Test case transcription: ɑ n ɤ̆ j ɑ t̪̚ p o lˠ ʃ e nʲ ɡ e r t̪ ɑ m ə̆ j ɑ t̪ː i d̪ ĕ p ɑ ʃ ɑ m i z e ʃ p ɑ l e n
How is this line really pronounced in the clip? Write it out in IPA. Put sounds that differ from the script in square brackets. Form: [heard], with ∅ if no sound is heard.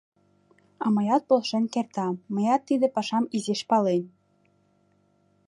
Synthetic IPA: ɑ [m] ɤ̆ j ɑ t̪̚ p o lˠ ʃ e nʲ [k] e r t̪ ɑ m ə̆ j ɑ t̪ː i d̪ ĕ p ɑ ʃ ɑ m i z e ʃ p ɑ l e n